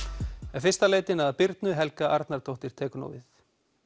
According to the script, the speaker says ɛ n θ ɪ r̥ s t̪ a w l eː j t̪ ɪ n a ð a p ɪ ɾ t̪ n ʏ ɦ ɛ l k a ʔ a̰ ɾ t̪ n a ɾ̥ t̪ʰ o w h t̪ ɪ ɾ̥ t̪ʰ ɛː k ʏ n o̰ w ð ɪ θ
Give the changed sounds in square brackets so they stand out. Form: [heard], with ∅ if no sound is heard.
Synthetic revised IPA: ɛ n [f] ɪ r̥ s t̪ a [∅] l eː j t̪ ɪ n a ð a p ɪ ɾ t̪ n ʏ ɦ ɛ l k a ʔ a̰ ɾ t̪ n a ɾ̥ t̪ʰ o w h t̪ ɪ ɾ̥ t̪ʰ ɛː k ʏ n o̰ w [v] ɪ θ